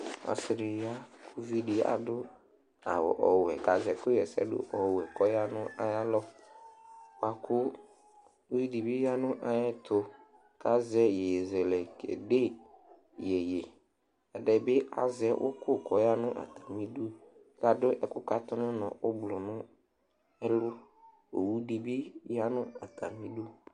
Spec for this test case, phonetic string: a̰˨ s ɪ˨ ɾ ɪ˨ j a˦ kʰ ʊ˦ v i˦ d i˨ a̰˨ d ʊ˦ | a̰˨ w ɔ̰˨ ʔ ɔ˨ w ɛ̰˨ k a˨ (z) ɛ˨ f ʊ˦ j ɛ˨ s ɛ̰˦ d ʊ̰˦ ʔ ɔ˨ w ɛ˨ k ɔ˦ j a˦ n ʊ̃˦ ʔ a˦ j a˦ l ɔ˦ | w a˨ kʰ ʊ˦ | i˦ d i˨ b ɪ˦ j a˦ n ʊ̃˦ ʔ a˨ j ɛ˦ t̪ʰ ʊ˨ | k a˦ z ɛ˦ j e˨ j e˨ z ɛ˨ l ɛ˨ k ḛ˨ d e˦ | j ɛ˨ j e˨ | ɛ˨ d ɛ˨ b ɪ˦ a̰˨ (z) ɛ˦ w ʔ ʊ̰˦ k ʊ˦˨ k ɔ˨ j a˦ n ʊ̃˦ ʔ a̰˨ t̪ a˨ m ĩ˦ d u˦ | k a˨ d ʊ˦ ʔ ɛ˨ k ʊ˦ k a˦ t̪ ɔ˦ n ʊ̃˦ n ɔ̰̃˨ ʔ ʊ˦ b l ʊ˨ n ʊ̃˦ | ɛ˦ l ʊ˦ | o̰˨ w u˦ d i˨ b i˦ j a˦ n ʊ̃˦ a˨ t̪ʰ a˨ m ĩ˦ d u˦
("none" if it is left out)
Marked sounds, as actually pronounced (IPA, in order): z, z

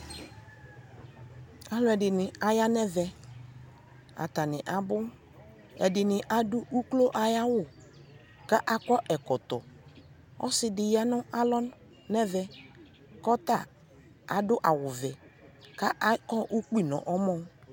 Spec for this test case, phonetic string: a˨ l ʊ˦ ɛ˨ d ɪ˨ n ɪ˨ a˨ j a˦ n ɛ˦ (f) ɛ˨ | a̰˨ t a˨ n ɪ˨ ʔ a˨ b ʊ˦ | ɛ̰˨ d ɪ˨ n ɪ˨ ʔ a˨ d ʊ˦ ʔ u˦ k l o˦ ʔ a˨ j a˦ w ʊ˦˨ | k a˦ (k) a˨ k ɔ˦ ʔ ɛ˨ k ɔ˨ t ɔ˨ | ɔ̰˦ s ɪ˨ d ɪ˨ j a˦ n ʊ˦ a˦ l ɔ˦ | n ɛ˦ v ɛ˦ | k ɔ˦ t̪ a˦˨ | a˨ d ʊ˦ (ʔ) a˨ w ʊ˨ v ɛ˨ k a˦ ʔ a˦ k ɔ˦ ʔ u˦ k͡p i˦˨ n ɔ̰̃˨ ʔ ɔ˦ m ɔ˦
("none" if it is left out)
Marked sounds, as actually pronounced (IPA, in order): v, ʔ, ʔ

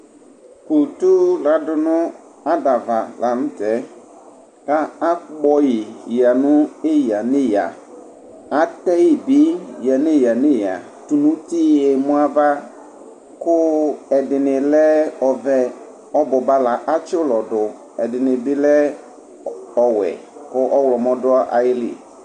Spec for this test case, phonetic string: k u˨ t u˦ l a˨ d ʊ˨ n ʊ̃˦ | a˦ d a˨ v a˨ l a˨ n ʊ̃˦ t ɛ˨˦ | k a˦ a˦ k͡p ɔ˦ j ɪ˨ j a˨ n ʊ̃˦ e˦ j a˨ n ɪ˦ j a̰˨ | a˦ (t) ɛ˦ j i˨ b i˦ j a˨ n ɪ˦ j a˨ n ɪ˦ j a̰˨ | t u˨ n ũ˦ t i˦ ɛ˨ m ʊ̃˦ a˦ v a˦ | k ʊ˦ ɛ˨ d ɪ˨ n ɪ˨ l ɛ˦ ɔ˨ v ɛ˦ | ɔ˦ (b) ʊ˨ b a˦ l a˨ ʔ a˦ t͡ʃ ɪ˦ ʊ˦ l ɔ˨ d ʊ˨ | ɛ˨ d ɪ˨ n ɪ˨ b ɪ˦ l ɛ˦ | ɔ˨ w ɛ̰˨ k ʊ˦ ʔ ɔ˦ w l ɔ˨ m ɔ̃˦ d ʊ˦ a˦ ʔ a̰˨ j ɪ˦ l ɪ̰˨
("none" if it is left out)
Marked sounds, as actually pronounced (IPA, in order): t, b

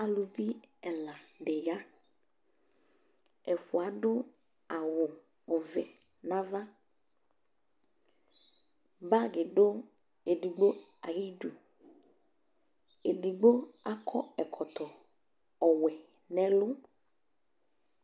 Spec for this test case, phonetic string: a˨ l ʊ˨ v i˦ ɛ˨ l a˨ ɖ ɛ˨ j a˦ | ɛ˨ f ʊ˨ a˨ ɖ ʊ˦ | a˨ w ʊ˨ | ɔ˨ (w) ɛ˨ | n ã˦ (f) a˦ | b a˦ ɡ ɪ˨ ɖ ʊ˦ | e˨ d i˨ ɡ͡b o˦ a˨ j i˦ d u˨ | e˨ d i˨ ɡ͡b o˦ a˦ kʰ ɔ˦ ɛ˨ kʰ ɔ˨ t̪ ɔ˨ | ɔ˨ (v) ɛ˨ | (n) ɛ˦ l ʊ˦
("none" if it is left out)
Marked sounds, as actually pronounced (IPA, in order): v, v, w, n

